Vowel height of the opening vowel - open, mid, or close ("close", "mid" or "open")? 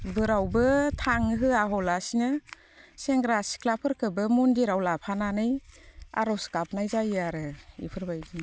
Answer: close